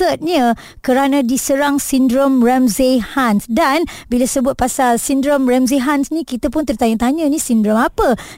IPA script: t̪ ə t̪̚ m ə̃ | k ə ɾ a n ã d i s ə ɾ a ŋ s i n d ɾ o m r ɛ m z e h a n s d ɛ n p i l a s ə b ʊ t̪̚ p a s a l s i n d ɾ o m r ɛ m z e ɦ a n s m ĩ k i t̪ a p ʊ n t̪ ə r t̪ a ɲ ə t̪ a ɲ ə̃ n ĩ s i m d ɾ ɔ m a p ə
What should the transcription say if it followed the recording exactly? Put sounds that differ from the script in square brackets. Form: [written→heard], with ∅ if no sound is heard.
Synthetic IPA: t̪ ə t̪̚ [m→ɲ] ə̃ | k ə ɾ a n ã d i s ə ɾ a ŋ s i n d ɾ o m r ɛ m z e h a n s d [ɛ→a] n [p→b] i l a s ə b ʊ t̪̚ p a s a l s i n d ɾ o m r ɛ m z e ɦ a n s [m→n] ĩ k i t̪ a p ʊ n t̪ ə r t̪ a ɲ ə t̪ a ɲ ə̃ n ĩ s i [m→n] d ɾ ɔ m a p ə